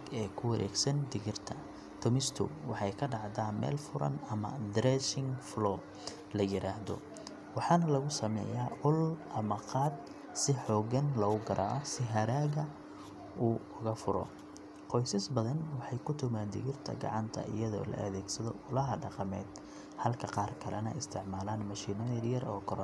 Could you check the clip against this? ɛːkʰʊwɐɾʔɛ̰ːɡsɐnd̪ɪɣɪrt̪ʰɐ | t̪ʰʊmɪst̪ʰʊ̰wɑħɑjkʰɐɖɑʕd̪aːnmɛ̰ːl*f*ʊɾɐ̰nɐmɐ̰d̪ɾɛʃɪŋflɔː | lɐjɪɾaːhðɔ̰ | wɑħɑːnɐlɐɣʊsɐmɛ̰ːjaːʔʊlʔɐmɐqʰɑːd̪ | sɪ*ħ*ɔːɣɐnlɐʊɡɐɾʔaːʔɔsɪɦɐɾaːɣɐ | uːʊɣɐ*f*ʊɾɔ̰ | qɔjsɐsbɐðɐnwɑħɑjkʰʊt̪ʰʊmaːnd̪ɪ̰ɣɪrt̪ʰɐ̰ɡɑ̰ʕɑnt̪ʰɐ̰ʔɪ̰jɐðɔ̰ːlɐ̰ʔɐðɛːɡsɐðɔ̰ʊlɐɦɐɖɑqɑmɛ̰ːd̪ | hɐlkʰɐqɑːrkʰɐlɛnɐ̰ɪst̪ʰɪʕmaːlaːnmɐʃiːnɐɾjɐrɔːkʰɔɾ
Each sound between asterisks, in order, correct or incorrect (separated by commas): correct, correct, correct